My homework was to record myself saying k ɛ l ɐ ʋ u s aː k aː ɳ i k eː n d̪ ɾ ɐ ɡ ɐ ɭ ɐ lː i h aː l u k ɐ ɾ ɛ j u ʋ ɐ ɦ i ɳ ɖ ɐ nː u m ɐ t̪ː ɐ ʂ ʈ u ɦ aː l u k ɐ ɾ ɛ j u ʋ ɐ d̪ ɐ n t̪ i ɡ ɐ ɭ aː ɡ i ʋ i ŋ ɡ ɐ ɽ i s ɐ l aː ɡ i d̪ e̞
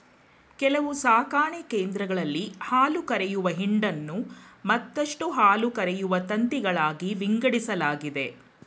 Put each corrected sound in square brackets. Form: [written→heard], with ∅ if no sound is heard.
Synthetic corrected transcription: k ɛ l ɐ ʋ u s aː k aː ɳ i k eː n d̪ ɾ ɐ ɡ ɐ ɭ ɐ lː i h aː l u k ɐ ɾ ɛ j u ʋ ɐ ɦ i ɳ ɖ ɐ nː u m ɐ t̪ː ɐ ʂ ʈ u ɦ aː l u k ɐ ɾ ɛ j u ʋ ɐ [d̪→t̪] ɐ n t̪ i ɡ ɐ ɭ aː ɡ i ʋ i ŋ ɡ ɐ ɽ i s ɐ l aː ɡ i d̪ e̞